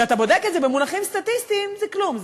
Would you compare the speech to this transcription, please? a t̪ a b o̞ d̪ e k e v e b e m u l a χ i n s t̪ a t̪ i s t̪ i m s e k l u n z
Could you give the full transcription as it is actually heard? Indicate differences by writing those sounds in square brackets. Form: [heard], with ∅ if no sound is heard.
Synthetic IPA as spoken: a t̪ a b o̞ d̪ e k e [z] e b e m u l a χ i [m] s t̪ a t̪ i s t̪ i m [z] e k l u [m] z